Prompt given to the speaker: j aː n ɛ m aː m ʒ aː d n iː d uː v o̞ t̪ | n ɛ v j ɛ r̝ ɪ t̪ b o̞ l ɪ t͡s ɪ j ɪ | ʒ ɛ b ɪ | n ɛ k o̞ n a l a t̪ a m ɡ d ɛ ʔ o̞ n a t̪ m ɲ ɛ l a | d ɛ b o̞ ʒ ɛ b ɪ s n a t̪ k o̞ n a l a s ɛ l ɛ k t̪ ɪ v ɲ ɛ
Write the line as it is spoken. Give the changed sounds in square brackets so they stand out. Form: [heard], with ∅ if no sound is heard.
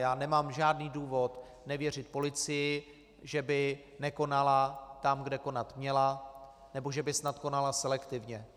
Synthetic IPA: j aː n ɛ m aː m ʒ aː d n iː d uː v o̞ t̪ | n ɛ v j ɛ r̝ ɪ t̪ [p] o̞ l ɪ t͡s ɪ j ɪ | ʒ ɛ b ɪ | n ɛ k o̞ n a l a t̪ a m ɡ d ɛ [k] o̞ n a t̪ m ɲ ɛ l a | [n] ɛ b o̞ ʒ ɛ b ɪ s n a t̪ k o̞ n a l a s ɛ l ɛ k t̪ ɪ v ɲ ɛ